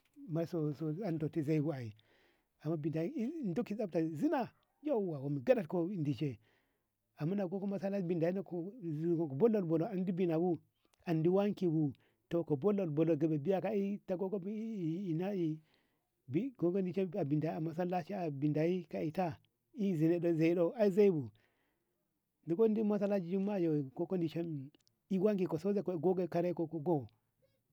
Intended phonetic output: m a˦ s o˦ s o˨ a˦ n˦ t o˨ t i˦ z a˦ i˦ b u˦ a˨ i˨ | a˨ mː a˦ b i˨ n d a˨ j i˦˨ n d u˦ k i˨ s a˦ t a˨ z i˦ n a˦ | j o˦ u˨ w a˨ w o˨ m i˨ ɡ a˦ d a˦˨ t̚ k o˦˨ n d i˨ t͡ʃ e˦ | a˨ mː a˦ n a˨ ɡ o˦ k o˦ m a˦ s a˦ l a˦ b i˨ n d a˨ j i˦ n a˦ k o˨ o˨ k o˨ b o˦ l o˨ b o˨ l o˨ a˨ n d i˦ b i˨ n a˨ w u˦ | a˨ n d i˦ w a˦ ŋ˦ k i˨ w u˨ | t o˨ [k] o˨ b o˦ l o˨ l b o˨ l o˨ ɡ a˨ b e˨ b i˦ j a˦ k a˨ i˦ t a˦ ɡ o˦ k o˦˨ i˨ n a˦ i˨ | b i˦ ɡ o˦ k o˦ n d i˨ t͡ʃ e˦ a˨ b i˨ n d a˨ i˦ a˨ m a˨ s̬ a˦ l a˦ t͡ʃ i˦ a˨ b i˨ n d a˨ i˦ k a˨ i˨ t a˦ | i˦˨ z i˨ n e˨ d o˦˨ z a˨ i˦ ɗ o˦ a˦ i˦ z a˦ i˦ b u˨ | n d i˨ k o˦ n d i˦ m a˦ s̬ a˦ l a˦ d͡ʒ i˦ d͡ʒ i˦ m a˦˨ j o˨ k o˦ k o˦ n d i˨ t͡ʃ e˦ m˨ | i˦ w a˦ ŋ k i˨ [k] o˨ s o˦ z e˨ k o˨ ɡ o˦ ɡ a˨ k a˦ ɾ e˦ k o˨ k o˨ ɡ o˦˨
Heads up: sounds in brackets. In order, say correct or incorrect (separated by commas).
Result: correct, correct